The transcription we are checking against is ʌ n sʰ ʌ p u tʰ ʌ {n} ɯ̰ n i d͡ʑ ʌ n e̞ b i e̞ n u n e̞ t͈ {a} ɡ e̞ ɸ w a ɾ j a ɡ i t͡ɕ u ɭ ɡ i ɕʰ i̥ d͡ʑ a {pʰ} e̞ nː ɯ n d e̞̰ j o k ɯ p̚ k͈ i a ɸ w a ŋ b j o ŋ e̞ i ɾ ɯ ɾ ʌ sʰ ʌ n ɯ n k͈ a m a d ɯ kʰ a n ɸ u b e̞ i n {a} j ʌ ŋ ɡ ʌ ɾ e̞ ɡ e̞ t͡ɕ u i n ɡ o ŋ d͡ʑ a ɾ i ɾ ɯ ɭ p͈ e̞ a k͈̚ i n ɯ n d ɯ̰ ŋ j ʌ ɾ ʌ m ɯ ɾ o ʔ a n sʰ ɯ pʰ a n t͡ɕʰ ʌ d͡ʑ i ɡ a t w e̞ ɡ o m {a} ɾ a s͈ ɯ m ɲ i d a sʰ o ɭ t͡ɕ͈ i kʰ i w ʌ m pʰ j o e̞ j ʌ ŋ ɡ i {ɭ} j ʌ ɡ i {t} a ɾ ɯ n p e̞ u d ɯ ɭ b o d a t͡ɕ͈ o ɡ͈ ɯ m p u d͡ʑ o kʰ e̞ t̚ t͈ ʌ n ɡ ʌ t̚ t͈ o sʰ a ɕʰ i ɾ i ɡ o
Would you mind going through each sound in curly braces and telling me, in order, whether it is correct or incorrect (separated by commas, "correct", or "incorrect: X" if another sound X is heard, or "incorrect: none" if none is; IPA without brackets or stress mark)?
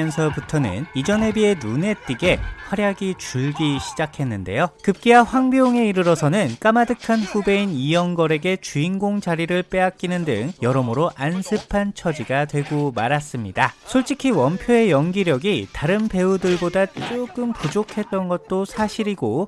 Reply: correct, incorrect: i, incorrect: kʰ, incorrect: i, correct, incorrect: ɾ, correct